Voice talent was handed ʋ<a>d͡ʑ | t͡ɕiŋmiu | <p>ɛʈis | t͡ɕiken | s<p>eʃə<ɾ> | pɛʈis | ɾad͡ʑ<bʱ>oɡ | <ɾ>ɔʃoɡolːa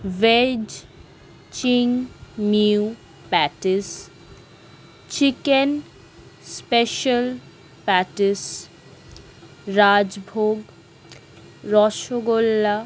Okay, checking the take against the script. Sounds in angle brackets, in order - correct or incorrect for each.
incorrect, correct, correct, incorrect, correct, correct

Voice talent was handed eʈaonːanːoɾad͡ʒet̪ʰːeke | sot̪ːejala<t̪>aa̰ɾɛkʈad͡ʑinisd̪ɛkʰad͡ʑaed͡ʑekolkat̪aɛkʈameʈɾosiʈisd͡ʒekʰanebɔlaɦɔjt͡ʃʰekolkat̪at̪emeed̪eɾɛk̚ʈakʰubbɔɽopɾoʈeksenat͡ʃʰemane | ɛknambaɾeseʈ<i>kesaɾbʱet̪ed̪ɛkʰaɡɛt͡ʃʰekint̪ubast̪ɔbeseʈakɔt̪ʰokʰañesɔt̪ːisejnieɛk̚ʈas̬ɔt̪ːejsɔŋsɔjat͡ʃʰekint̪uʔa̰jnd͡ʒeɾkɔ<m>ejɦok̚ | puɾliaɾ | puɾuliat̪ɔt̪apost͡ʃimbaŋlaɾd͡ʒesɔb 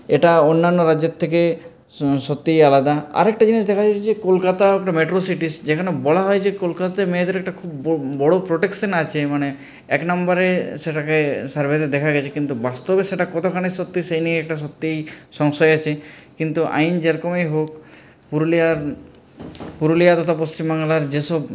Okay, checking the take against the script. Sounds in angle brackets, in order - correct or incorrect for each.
incorrect, incorrect, correct

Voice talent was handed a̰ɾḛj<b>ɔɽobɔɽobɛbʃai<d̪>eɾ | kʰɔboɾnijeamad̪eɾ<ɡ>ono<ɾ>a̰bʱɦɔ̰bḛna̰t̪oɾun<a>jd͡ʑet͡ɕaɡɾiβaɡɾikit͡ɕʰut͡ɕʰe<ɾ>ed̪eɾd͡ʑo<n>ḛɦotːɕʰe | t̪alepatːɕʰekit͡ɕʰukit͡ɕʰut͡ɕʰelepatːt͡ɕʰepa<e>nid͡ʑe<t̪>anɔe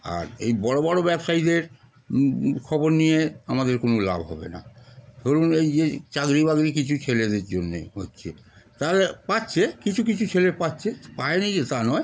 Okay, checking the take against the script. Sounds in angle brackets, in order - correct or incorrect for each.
correct, correct, incorrect, incorrect, incorrect, incorrect, incorrect, correct, correct

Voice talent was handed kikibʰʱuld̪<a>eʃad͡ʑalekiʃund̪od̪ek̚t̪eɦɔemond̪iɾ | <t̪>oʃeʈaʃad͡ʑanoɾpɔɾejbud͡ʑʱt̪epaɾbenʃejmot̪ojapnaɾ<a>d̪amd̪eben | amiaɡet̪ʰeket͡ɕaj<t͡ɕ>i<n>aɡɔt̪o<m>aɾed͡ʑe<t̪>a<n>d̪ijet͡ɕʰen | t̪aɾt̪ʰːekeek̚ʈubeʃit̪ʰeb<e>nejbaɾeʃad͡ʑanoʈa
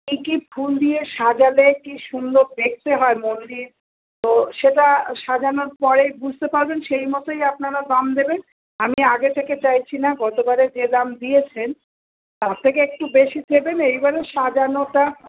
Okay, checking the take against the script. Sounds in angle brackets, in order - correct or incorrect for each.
incorrect, correct, correct, incorrect, correct, incorrect, incorrect, incorrect, correct

